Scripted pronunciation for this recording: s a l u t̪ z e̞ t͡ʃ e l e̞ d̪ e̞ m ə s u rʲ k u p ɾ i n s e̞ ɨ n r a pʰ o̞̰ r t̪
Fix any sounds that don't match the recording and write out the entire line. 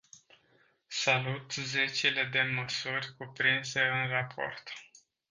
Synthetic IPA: s a l u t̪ z e̞ t͡ʃ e l e̞ d̪ e̞ m ə s u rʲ k u p ɾ i n s e̞ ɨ n r a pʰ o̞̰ r t̪